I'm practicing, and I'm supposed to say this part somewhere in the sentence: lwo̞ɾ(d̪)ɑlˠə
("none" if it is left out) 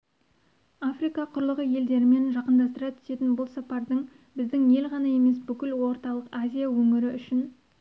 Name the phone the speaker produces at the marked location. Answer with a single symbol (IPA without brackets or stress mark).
t̪